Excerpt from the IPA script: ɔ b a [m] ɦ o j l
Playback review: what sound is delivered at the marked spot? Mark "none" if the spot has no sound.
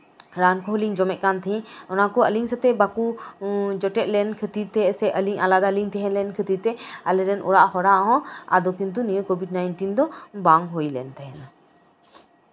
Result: ŋ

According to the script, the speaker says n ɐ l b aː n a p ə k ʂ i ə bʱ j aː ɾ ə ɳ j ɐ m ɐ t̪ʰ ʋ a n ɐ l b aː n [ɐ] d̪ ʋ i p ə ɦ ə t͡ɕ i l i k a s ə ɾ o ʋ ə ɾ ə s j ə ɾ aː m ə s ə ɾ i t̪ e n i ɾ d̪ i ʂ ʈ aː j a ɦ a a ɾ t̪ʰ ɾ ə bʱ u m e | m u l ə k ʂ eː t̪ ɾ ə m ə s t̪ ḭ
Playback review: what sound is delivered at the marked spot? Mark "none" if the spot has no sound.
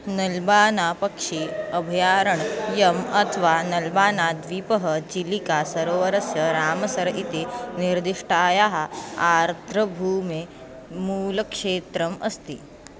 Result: a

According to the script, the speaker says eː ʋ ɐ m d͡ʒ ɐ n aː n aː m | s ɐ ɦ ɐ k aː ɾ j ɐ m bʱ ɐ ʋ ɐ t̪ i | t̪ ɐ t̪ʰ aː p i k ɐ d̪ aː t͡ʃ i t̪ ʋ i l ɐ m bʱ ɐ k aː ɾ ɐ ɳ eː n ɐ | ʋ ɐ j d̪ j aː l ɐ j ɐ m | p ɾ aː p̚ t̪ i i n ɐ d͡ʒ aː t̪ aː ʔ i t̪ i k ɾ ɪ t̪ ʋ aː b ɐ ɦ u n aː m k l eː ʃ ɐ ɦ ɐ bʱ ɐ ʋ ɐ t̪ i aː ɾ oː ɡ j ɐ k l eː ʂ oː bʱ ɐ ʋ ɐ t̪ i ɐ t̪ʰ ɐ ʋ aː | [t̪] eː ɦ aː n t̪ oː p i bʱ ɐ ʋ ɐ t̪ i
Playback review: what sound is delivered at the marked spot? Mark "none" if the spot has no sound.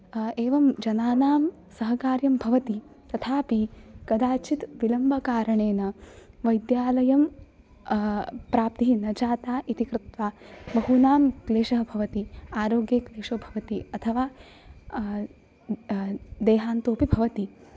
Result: d̪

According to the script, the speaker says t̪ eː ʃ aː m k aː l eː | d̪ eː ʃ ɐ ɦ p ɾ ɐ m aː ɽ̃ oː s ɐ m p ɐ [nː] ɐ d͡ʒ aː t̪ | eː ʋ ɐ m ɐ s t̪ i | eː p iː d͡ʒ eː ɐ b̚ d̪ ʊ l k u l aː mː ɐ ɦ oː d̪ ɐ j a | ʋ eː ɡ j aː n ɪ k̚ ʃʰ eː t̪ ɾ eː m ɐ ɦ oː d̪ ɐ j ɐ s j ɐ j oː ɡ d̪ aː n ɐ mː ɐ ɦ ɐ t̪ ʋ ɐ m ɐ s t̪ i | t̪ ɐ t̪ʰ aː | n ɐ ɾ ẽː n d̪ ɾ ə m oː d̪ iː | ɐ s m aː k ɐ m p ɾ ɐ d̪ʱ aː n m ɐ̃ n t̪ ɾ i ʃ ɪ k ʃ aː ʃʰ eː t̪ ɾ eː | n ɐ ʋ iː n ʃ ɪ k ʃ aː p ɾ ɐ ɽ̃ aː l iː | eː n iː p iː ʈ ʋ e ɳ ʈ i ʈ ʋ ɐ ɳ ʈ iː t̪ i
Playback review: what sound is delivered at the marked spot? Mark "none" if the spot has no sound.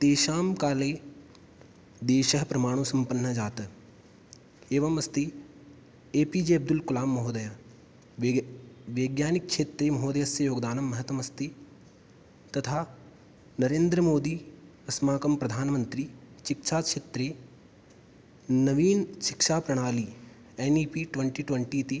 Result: nː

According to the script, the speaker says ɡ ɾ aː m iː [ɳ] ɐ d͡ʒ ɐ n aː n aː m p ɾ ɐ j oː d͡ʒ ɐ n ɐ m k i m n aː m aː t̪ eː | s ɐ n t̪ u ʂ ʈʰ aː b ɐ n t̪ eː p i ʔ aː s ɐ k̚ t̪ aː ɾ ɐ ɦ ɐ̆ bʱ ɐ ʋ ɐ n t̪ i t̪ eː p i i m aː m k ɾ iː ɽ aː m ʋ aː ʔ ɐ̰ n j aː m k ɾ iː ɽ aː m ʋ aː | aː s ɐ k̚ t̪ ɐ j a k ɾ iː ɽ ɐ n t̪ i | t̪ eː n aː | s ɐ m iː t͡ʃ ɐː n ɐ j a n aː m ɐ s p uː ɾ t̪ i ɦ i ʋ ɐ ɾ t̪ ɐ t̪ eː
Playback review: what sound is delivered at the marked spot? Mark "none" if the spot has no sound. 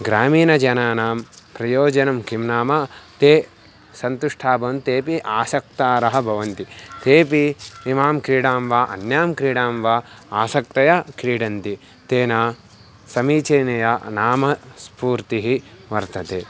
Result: n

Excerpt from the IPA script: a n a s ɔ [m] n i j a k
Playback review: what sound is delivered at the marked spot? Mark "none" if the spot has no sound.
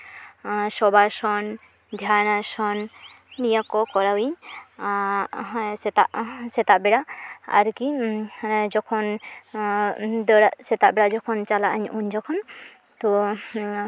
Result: n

